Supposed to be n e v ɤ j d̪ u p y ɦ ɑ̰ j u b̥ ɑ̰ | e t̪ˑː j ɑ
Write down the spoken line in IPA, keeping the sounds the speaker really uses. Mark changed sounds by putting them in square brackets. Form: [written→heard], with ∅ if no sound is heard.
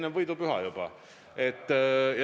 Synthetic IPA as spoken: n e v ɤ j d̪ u p y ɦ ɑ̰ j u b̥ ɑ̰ | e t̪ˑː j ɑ